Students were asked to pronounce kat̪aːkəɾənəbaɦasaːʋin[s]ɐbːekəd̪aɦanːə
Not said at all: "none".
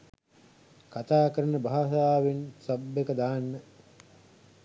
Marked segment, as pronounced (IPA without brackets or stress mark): s